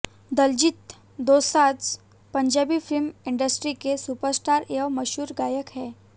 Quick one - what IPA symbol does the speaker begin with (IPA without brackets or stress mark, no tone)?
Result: d̪